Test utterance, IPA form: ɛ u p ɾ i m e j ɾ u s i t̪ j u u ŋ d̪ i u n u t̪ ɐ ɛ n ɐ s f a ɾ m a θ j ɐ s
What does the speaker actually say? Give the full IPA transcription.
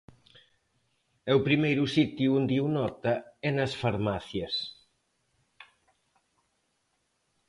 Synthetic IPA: ɛ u p ɾ i m e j ɾ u s i t̪ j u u n d̪ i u n ɔ t̪ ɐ ɛ n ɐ s f a ɾ m a θ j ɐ s